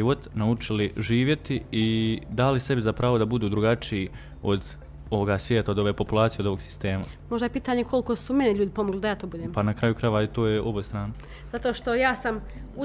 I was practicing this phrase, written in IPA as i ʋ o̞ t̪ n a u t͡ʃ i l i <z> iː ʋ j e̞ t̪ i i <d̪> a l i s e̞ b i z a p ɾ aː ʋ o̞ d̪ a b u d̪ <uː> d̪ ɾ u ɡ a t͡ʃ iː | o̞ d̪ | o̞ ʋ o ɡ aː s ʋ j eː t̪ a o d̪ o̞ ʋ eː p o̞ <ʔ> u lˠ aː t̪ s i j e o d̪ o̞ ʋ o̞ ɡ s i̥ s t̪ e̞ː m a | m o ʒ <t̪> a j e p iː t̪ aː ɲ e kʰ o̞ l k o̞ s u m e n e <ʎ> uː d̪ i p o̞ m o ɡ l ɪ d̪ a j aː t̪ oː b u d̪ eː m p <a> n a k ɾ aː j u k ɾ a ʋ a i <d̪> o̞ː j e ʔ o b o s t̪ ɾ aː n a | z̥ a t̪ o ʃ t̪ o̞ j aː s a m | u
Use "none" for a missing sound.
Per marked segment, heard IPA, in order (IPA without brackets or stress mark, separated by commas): ʒ, d̪, uː, p, d̪, ʎ, a, t̪